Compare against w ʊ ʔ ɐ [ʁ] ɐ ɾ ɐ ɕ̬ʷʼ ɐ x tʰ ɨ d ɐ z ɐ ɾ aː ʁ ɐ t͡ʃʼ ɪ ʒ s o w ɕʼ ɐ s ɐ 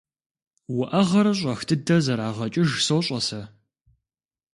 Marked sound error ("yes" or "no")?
no